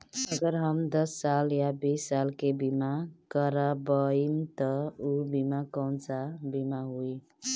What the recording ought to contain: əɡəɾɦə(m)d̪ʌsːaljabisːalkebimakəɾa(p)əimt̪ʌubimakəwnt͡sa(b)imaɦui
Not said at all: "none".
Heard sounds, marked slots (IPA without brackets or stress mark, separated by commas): m, b, b